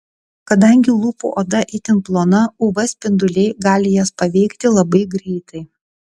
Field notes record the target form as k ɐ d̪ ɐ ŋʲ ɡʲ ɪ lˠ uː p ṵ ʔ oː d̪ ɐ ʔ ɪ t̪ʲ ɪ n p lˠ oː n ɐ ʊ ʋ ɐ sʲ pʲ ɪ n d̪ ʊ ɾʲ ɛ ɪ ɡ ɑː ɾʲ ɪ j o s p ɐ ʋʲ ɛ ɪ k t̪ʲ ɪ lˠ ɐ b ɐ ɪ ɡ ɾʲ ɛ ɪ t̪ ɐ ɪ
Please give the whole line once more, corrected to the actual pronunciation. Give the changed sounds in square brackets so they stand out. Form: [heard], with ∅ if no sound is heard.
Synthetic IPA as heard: k ɐ d̪ ɐ ŋʲ ɡʲ ɪ lˠ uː p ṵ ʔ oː d̪ ɐ ʔ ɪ t̪ʲ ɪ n p lˠ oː n ɐ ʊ ʋ ɐ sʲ pʲ ɪ n d̪ ʊ [lʲ] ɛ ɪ ɡ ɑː [lʲ] ɪ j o s p ɐ ʋʲ ɛ ɪ k t̪ʲ ɪ lˠ ɐ b ɐ ɪ ɡ ɾʲ ɛ ɪ t̪ ɐ ɪ